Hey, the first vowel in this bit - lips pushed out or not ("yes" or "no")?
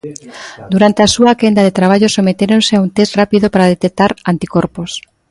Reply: yes